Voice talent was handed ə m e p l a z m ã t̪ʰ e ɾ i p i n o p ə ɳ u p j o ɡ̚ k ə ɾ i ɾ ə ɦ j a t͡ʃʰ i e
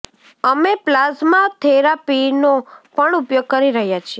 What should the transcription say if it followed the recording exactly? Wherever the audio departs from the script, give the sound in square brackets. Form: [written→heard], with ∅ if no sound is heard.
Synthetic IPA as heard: ə m e p l a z m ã t̪ʰ e ɾ [i→a] p i n o p ə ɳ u p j o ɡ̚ k ə ɾ i ɾ ə ɦ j a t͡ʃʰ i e